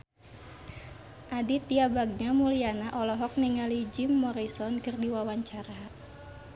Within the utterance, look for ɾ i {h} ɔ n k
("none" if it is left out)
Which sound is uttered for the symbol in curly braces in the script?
s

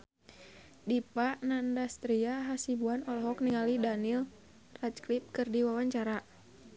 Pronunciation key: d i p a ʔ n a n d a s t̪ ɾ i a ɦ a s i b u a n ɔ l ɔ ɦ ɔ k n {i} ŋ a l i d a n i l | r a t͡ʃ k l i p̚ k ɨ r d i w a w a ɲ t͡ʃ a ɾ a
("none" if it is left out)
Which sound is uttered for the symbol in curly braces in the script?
i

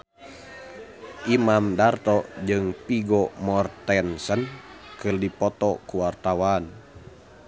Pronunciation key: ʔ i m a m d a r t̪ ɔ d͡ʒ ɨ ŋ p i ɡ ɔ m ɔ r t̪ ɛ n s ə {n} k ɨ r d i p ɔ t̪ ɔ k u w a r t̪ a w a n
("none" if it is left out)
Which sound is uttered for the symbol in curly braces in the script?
n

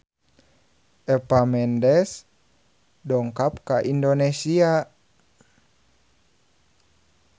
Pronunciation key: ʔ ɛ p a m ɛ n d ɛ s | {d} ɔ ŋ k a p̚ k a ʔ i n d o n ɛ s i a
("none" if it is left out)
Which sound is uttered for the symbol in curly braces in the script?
d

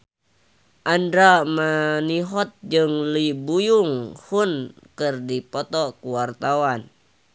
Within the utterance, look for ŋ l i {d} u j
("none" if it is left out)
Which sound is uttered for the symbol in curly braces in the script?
b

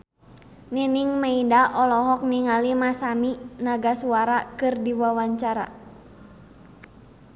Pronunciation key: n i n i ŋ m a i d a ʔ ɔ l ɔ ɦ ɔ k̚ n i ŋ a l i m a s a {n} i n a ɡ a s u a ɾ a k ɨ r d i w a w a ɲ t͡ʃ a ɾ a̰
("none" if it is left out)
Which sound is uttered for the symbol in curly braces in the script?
m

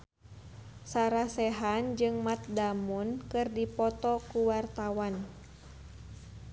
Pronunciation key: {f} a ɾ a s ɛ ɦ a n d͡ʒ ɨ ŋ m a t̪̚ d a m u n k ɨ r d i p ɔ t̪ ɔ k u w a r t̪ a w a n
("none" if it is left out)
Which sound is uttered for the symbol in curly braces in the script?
s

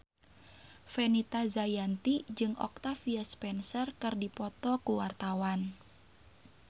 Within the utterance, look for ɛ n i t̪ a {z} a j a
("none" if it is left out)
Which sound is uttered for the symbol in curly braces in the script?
z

